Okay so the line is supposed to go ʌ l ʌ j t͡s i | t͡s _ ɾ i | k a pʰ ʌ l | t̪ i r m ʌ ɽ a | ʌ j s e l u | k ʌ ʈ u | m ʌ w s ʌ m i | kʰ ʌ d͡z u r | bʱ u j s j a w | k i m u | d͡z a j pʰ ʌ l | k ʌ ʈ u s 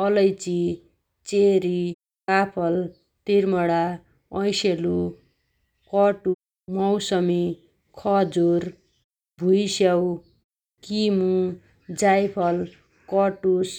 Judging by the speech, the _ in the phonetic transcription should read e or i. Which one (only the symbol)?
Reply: e